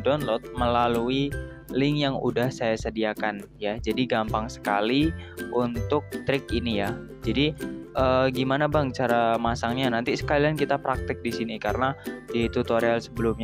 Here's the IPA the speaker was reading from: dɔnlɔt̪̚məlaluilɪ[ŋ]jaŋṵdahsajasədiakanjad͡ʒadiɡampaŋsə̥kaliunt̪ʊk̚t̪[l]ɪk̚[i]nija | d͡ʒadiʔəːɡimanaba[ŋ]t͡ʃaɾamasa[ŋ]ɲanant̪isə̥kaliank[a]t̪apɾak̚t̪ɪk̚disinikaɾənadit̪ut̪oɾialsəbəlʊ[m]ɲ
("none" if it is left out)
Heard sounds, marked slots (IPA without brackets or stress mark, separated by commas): ŋ, ɾ, i, ŋ, ŋ, i, m